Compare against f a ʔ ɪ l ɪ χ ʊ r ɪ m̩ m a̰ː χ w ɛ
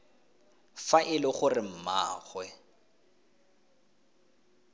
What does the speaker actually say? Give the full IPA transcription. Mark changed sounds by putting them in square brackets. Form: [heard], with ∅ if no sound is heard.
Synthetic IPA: f a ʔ ɪ l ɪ χ ʊ r ɪ m̩ m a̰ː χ w ɛ